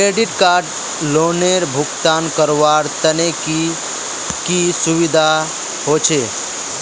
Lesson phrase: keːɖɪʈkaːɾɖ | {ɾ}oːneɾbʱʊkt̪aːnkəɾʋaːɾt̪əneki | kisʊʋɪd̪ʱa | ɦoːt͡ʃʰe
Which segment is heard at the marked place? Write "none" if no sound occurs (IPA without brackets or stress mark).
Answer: l